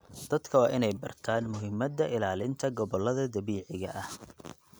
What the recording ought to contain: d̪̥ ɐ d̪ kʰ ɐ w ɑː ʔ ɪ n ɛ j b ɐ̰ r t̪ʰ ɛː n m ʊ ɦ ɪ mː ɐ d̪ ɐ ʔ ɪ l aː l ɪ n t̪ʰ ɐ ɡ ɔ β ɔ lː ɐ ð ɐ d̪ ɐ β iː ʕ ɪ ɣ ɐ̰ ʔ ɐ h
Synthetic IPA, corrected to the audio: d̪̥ ɐ d̪ kʰ ɐ w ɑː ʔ ɪ n ɛ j b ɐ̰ r t̪ʰ aː n m ʊ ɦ ɪ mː ɐ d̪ ɐ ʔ ɪ l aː l ɪ n t̪ʰ ɐ ɡ ɔ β ɔ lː ɐ ð ɐ d̪ ɐ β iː ʕ ɪ ɣ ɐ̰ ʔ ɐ h